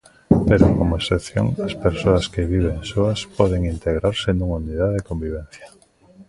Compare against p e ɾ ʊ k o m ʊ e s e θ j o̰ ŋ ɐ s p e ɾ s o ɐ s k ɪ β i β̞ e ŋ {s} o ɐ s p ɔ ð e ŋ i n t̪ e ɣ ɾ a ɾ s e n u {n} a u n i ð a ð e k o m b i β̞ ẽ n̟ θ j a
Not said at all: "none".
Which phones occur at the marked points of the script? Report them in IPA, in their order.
s, ŋ

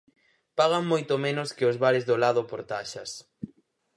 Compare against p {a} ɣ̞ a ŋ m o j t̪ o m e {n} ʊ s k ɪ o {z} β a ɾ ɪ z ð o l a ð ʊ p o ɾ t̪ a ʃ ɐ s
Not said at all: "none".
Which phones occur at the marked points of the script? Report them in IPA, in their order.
a, n, z

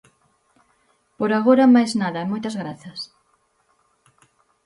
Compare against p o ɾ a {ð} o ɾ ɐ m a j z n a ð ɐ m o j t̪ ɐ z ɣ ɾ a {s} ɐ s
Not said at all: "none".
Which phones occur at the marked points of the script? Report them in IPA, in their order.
ɣ, θ

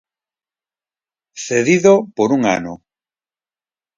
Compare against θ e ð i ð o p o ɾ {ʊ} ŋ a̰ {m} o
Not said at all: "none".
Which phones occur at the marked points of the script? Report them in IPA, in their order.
u, n

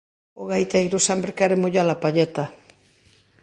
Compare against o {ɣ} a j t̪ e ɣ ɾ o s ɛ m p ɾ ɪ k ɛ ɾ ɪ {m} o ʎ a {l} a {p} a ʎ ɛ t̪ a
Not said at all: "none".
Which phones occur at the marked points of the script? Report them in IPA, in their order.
ɣ, m, l, p

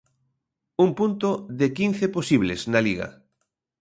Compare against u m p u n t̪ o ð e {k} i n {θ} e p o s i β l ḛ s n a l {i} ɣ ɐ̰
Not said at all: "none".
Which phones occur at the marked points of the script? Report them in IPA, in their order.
k, θ, i

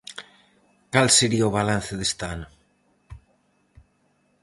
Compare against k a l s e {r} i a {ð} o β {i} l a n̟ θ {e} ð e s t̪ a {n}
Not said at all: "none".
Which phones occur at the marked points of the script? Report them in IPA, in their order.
ɾ, none, a, e, n

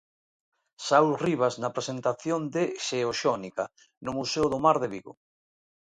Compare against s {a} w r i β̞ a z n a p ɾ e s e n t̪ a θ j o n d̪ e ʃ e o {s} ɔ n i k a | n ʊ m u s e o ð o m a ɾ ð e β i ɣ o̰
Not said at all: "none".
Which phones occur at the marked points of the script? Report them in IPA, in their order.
a, ʃ

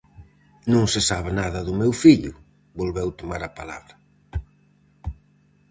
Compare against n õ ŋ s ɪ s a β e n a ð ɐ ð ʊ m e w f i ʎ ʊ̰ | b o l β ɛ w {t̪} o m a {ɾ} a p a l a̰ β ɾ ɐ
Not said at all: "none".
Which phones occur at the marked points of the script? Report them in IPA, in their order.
t̪, ɾ

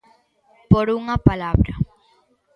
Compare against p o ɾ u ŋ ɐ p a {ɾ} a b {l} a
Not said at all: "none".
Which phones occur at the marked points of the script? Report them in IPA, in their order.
l, ɾ

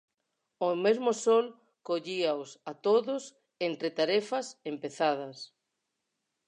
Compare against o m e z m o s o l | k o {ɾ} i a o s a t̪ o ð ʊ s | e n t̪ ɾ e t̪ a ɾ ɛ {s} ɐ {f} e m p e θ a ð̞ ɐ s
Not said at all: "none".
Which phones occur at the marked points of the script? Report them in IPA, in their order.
ʎ, f, s

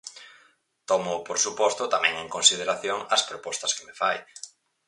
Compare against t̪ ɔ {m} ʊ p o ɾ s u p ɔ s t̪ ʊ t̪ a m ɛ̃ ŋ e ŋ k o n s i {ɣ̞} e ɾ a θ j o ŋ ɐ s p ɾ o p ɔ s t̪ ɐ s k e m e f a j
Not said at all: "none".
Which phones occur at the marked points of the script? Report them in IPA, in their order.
m, ð̞

